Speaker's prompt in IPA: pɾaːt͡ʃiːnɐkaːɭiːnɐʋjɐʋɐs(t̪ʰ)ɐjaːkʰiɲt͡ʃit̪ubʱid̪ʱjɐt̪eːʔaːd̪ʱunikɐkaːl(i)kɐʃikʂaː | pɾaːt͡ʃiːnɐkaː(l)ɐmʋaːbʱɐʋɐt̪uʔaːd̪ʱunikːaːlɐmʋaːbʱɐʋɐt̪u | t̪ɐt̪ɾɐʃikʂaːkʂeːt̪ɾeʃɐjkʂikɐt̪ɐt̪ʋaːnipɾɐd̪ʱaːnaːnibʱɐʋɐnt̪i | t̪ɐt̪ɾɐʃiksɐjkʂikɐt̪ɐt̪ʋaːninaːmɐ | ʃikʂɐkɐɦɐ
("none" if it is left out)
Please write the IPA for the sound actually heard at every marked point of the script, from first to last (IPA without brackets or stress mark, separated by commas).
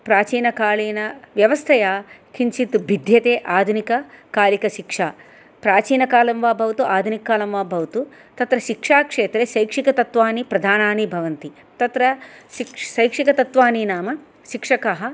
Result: t̪ʰ, i, l